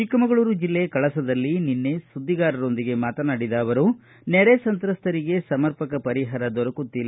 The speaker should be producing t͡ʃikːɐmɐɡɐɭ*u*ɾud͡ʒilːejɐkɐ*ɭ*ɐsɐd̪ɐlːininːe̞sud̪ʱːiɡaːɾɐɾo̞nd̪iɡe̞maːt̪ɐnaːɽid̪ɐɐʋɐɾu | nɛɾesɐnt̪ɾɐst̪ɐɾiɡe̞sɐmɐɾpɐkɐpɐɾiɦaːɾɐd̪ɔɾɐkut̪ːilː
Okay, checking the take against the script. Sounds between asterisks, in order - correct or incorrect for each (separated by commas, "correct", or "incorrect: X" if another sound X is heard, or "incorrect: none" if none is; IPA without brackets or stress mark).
incorrect: uː, correct